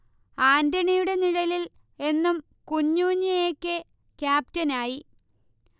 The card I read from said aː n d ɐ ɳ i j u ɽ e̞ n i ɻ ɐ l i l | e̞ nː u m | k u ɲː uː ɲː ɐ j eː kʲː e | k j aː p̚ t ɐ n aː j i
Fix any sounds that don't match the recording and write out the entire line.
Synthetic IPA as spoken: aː n d ɐ ɳ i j u ɽ e̞ n i ɻ ɐ l i l | e̞ nː u m | k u ɲː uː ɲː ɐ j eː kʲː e | k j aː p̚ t ɐ n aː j i